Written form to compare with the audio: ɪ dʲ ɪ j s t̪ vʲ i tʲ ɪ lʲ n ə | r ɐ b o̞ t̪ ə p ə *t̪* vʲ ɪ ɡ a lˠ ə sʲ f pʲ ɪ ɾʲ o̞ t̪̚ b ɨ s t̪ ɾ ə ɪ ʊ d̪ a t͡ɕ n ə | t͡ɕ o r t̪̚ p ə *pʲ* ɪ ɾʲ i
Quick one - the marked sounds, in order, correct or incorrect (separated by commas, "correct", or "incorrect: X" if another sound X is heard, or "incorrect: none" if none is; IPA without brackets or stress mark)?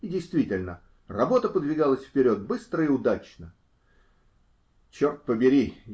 incorrect: d̪, incorrect: bʲ